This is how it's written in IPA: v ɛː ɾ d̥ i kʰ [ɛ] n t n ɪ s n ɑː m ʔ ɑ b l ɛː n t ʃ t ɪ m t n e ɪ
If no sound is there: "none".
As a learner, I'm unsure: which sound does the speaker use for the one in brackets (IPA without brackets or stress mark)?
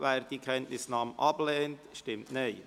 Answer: ɛ